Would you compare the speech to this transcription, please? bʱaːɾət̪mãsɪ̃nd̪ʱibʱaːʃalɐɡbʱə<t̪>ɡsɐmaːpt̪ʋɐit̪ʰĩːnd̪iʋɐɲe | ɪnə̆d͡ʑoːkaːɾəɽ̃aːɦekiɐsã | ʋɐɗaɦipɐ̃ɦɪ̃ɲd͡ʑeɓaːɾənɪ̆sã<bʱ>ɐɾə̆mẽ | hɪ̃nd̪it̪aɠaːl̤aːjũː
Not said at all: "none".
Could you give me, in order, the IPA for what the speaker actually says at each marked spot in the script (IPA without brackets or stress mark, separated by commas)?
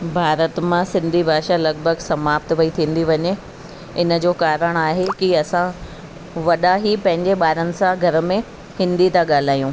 none, ɡʱ